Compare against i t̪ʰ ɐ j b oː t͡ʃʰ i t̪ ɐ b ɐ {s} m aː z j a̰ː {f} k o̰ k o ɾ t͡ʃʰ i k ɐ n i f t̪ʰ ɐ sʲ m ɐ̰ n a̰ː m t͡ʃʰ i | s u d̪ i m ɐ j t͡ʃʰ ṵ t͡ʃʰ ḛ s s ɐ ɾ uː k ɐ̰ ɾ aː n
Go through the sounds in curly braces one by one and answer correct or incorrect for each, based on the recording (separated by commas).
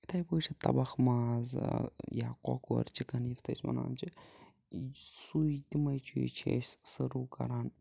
incorrect, incorrect